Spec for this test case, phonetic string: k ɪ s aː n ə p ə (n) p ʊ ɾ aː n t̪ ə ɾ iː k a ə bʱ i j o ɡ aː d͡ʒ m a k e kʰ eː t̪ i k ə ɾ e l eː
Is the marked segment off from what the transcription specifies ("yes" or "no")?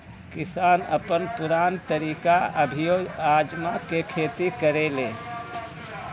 no